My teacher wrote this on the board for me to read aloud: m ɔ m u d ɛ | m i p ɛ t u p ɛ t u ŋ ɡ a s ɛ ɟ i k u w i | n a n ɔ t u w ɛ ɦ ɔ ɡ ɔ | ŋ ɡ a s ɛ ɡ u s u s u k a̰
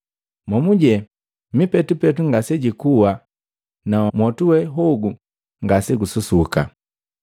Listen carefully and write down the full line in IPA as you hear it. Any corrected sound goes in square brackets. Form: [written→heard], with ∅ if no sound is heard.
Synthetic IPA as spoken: m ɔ m u [d→ɟ] ɛ | m i p ɛ t u p ɛ t u ŋ ɡ a s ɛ ɟ i k u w [i→a] | n a [n→m] ɔ t u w ɛ ɦ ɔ ɡ [ɔ→u] | ŋ ɡ a s ɛ ɡ u s u s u k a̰